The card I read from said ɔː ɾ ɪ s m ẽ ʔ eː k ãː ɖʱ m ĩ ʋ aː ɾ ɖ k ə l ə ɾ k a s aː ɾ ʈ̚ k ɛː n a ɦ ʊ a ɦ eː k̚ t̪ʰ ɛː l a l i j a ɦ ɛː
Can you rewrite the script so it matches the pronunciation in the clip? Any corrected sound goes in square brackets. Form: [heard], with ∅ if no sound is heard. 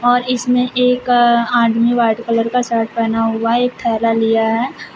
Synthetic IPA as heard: ɔː ɾ ɪ s m ẽ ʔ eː k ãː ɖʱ m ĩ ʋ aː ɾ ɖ k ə l ə ɾ k a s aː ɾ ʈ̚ [p] ɛː n a ɦ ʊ a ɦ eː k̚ t̪ʰ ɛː l a l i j a ɦ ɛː